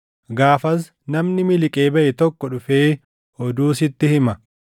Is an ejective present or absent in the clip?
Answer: present